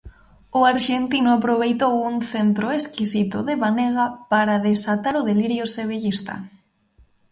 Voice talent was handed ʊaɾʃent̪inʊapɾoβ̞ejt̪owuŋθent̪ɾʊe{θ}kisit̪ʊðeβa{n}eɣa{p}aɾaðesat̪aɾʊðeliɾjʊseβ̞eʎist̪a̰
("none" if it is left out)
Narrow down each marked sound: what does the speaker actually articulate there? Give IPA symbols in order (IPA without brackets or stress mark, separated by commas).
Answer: s, n, p